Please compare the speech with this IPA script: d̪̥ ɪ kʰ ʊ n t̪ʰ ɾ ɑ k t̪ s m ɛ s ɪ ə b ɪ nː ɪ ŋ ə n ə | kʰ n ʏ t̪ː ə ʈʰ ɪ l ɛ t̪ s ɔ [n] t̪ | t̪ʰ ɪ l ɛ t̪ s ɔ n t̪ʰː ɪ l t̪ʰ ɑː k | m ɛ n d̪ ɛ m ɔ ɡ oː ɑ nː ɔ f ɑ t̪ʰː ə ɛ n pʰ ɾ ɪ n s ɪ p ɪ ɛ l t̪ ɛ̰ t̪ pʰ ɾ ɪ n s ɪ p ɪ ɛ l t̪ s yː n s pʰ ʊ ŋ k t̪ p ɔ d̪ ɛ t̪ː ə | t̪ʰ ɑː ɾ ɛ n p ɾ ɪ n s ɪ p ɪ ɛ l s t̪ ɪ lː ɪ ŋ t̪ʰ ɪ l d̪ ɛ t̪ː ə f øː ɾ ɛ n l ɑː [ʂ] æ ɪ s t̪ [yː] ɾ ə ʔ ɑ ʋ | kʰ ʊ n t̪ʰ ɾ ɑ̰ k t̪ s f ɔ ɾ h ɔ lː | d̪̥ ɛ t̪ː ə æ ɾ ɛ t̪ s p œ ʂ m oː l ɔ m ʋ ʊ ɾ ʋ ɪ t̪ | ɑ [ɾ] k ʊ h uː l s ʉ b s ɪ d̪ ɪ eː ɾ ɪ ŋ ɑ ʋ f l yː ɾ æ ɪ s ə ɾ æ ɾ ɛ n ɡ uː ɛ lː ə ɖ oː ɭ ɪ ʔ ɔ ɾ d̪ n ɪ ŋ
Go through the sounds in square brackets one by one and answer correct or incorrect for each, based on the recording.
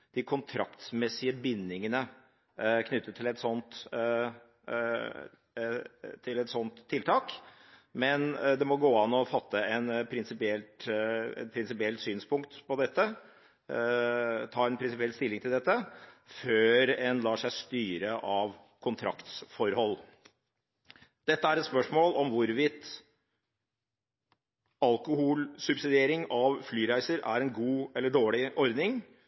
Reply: correct, correct, correct, incorrect: l

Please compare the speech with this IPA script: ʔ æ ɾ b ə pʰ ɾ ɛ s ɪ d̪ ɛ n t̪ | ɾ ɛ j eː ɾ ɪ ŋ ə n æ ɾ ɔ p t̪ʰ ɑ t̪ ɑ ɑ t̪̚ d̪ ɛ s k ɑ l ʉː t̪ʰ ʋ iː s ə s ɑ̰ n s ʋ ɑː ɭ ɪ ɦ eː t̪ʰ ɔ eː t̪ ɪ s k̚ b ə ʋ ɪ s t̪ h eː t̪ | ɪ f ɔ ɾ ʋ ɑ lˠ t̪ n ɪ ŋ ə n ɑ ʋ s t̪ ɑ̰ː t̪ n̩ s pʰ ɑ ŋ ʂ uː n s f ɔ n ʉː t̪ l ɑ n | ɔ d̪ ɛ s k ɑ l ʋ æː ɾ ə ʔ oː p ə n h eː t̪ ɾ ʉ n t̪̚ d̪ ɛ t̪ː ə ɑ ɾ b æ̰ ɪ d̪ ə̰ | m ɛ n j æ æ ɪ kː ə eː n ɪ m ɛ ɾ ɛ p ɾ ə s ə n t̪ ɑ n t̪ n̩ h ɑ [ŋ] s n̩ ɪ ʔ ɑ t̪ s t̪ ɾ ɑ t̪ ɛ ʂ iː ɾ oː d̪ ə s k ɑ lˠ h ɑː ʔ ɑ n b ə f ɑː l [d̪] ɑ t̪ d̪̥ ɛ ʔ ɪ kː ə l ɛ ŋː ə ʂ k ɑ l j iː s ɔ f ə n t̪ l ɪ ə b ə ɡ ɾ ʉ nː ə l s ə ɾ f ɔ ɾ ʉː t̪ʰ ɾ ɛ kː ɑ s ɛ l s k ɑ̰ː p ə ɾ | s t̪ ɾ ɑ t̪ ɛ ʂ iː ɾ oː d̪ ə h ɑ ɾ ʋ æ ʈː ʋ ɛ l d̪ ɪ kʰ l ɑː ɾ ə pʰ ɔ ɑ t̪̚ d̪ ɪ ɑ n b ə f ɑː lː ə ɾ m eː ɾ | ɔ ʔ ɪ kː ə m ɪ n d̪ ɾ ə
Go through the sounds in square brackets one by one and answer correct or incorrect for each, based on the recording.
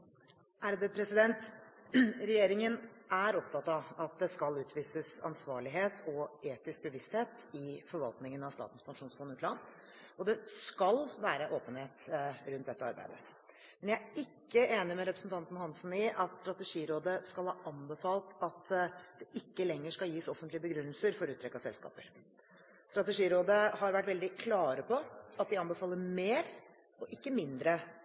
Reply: incorrect: n, incorrect: t̪

